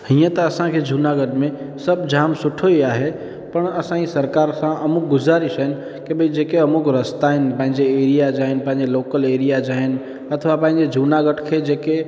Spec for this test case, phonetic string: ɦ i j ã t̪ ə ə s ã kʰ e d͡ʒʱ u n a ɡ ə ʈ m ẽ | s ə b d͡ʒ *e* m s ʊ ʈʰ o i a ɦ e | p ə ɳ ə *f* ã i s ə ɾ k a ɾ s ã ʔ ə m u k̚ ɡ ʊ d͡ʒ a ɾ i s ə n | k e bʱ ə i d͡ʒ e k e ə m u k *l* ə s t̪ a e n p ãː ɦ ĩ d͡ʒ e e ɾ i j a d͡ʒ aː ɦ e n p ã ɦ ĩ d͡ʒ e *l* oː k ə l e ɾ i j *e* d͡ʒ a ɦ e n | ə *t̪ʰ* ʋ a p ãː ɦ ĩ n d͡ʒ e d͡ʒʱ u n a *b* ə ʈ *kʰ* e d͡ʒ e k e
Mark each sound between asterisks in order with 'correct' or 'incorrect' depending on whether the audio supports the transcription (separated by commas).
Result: incorrect, incorrect, incorrect, correct, incorrect, correct, incorrect, correct